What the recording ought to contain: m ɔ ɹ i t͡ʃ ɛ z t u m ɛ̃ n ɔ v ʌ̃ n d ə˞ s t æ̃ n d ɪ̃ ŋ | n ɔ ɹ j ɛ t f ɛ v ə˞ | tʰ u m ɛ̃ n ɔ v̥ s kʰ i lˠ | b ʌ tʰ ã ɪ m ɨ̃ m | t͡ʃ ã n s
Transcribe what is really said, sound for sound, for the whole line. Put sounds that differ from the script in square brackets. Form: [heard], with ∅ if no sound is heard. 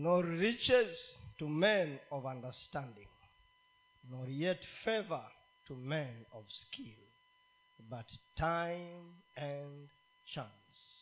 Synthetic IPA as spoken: [n] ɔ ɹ i t͡ʃ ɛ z t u m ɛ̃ n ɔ v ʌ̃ n d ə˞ s t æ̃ n d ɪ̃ ŋ | n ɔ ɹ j ɛ t f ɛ v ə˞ | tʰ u m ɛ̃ n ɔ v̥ s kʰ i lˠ | b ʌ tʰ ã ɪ m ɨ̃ [n] | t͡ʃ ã n s